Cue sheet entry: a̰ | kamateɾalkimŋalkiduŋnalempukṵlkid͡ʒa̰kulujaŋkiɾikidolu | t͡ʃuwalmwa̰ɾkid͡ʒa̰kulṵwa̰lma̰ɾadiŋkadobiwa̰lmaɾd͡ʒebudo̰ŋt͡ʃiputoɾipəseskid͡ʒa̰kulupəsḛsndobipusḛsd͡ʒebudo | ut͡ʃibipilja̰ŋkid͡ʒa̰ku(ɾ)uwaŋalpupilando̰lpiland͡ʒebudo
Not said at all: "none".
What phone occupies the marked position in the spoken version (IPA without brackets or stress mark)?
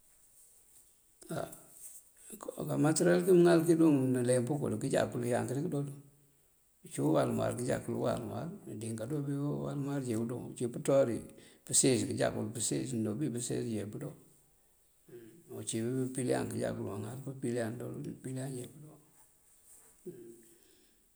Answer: l